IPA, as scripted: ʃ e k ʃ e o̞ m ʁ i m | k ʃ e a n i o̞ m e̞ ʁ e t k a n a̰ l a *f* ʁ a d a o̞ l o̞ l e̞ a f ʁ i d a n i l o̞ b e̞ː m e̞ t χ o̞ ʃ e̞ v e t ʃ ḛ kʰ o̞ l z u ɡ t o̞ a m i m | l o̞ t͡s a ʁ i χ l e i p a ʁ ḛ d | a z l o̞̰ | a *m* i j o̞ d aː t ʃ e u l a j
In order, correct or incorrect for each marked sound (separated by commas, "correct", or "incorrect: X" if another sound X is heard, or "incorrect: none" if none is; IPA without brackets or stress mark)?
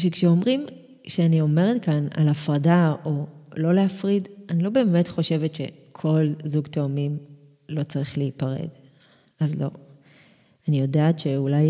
correct, incorrect: n